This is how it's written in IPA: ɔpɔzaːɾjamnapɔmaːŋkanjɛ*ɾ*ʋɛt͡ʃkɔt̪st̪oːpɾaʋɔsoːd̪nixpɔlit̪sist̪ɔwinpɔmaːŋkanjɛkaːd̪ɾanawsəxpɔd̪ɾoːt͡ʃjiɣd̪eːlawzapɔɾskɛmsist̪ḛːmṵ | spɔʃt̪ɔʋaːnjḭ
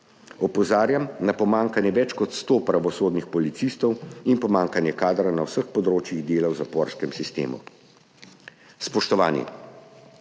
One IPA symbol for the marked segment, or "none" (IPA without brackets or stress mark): none